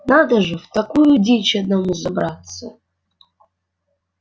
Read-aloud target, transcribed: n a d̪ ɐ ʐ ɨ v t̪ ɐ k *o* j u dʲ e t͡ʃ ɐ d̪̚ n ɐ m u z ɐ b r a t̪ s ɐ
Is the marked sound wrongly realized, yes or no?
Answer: yes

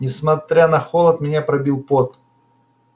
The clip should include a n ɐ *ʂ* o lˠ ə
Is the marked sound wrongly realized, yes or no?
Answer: yes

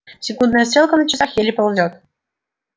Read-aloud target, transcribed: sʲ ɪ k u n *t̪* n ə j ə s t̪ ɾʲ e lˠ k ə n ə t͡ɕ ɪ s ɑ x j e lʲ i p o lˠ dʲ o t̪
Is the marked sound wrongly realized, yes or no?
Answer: yes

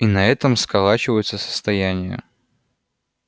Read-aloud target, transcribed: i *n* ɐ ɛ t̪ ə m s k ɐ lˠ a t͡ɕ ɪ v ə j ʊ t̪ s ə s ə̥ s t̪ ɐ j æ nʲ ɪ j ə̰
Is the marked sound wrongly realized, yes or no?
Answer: no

